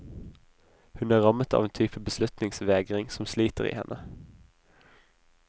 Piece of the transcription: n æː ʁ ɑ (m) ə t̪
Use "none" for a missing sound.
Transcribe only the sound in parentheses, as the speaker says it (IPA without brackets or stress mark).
m